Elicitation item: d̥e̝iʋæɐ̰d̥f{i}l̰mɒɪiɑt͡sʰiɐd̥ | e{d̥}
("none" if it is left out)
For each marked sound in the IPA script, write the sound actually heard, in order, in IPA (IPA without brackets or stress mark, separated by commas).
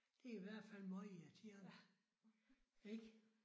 æ, ɡ̥